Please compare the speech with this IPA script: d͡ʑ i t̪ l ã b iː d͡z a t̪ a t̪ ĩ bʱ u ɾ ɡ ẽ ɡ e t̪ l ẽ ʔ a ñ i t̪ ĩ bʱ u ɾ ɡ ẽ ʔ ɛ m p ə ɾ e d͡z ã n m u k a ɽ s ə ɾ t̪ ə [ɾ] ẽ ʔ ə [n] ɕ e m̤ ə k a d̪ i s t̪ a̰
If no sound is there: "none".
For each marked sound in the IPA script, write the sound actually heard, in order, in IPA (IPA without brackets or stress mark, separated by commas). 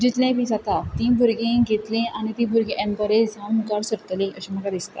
l, none